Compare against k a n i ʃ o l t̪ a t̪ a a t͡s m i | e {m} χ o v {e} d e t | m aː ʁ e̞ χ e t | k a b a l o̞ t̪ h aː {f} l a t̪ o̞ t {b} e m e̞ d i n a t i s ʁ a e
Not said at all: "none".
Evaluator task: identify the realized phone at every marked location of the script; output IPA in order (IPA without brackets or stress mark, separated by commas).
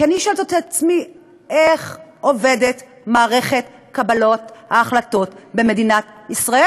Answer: none, e, χ, b